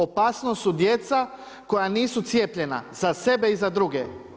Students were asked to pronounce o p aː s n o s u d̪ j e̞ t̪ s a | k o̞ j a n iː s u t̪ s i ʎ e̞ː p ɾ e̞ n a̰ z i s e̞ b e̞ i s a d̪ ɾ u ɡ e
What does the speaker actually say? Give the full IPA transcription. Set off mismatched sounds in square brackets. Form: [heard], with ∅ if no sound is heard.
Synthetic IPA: o p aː s n o s u d̪ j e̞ t̪ s a | k o̞ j a n iː s u t̪ s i [j] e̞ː p [ʎ] e̞ n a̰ z [a] s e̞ b e̞ i [z] a d̪ ɾ u ɡ e